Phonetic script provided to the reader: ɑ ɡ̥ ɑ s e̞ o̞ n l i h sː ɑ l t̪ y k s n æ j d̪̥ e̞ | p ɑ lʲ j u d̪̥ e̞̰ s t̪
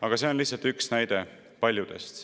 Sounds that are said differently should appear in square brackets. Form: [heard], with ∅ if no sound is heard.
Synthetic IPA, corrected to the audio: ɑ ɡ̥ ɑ s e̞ o̞ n l i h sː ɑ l t̪ y k s n æ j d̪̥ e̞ | p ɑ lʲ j u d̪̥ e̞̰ s t̪